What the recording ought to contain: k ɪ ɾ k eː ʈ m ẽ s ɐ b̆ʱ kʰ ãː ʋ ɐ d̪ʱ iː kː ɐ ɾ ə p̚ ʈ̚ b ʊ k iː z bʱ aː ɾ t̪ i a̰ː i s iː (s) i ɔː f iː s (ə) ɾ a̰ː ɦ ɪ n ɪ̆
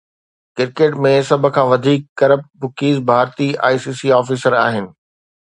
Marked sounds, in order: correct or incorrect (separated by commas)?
correct, correct